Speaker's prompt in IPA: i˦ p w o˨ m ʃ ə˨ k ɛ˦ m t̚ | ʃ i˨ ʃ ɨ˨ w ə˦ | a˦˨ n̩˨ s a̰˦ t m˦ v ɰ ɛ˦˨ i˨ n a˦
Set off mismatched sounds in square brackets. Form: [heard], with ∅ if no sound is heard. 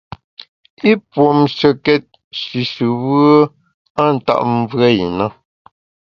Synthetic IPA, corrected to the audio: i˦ p w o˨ m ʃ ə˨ k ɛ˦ [∅] t̚ | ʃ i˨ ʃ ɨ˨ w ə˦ | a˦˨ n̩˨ [t] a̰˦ [ʔ] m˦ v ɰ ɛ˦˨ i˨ n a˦